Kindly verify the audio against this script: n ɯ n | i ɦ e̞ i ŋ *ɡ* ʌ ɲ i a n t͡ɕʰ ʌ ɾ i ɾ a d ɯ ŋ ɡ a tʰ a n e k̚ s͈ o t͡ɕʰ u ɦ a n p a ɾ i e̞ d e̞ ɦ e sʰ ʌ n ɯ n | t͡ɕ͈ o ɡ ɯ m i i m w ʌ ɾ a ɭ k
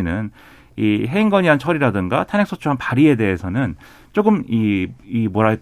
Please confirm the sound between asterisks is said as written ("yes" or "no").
yes